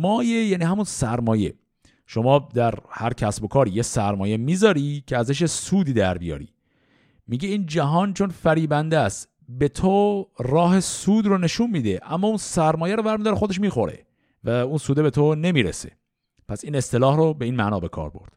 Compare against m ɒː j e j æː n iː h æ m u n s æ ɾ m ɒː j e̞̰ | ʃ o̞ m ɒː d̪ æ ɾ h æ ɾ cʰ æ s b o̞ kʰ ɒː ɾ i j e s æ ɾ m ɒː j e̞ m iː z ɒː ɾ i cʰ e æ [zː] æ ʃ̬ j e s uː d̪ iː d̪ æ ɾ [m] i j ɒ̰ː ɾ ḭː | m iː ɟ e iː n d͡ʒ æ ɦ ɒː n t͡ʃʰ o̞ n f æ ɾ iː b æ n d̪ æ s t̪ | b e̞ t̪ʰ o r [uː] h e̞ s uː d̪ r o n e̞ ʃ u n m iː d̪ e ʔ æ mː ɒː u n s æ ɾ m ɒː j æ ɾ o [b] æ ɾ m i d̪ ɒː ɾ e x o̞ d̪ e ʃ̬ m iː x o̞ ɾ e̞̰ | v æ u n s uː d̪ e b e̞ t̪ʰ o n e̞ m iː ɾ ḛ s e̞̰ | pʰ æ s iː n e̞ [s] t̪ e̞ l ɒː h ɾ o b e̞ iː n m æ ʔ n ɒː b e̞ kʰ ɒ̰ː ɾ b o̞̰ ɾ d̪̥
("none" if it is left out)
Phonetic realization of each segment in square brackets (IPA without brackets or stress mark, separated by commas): z, b, ɒː, v, s